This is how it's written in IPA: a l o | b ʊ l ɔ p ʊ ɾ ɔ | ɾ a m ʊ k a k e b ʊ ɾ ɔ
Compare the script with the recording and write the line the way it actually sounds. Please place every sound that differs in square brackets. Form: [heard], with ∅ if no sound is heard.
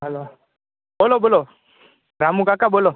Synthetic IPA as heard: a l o | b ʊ l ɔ [b] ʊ [l] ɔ | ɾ a m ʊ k a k [a] b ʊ [l] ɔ

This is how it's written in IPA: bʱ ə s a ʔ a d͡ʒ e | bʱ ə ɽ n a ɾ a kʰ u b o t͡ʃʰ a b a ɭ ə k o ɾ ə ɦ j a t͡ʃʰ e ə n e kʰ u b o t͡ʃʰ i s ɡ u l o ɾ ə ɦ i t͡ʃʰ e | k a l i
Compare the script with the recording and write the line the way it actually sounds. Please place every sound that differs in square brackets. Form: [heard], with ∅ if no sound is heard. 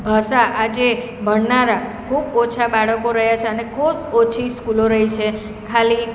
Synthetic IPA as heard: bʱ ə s a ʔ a d͡ʒ e | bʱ ə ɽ n a ɾ a kʰ u b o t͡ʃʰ a b a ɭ ə k o ɾ ə ɦ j a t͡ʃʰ e ə n e kʰ u b o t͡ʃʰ i s [k] u l o ɾ ə ɦ i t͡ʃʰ e | [kʰ] a l i

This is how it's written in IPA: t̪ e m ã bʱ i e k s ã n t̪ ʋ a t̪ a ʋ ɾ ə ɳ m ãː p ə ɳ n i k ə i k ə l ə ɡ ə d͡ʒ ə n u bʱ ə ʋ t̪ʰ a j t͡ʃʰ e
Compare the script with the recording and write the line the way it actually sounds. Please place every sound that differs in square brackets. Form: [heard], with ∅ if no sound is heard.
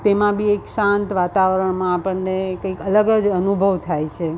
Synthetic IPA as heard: t̪ e m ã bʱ i e k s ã n t̪ ʋ a t̪ a ʋ ɾ ə ɳ m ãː p ə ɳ n [e] k ə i k ə l ə ɡ ə d͡ʒ ə n u bʱ ə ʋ t̪ʰ a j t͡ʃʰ e

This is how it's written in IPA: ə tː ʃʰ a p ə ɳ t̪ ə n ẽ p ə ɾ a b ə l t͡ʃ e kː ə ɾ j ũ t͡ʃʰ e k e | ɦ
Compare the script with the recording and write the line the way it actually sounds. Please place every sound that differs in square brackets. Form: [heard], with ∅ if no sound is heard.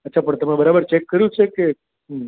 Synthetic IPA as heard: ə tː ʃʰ a p ə ɳ t̪ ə [m] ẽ [b] ə ɾ a b ə [ɾ] t͡ʃ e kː ə ɾ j ũ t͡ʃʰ e k e | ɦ

